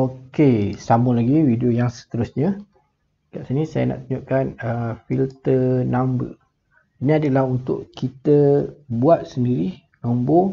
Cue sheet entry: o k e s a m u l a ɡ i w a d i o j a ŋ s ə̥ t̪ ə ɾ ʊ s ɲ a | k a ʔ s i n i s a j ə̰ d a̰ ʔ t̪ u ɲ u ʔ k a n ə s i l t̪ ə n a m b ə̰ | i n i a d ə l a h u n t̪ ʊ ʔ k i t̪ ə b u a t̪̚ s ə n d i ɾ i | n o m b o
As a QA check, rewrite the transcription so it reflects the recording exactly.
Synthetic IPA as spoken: o k e s a m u l a ɡ i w i d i o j a ŋ s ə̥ t̪ ə ɾ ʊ s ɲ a | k a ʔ s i n i s a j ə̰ n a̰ ʔ t̪ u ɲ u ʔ k a n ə f i l t̪ ə n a m b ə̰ | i n i a d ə l a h u n t̪ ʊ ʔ k i t̪ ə b u a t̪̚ s ə n d i ɾ i | n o m b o